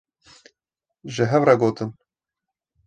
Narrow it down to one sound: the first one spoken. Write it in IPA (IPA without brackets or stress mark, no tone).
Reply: ʒ